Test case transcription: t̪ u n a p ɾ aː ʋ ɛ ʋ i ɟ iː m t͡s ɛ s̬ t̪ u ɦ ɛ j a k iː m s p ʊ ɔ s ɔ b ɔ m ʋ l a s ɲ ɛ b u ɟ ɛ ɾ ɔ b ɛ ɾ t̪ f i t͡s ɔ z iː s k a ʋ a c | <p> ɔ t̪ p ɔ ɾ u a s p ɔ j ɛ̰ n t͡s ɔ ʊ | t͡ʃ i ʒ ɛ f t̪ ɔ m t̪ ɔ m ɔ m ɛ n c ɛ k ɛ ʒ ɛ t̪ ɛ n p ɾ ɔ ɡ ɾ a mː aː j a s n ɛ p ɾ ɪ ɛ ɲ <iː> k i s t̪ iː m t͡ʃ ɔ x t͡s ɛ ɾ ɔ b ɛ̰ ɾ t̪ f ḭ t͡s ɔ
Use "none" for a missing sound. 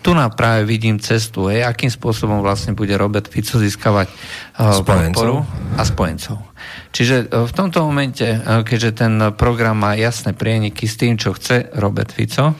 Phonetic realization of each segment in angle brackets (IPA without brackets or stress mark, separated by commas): p, i